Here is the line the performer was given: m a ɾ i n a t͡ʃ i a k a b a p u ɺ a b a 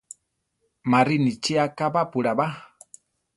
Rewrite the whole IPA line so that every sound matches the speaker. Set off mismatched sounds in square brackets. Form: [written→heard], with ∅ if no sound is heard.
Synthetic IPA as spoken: m a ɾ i n [a→i] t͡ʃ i a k a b a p u ɺ a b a

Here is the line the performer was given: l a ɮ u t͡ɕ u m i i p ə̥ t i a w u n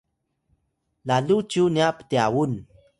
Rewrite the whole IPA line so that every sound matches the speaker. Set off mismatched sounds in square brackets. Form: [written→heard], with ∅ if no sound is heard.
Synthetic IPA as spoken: l a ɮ u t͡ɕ u [m→n] i [i→a] p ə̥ t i a w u n

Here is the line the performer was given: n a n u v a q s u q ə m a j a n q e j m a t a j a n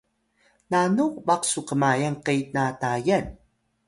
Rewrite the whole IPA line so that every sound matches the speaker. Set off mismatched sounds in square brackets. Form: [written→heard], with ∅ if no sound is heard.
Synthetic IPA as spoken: n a n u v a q s u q ə m a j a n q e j [m→n] a t a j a n

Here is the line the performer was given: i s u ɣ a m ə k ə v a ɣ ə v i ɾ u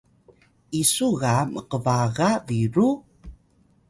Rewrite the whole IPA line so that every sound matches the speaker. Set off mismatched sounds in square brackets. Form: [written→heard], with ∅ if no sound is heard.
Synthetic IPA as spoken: i s u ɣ a m ə [k→q] ə v a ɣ [ə→a] v i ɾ u

